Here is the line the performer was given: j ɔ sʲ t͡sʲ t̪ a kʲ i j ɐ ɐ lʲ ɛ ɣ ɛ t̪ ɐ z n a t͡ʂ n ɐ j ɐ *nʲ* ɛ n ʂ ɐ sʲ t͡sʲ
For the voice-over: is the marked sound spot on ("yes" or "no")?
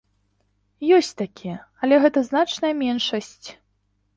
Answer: no